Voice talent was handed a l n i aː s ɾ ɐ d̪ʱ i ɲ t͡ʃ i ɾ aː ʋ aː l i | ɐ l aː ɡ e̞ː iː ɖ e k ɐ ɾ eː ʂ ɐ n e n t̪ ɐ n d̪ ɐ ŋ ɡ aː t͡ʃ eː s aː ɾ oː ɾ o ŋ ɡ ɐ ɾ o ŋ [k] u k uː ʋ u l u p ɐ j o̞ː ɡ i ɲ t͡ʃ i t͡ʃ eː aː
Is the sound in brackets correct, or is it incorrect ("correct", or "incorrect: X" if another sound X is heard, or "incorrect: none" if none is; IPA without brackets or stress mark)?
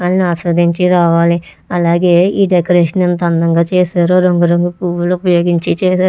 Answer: incorrect: ɡ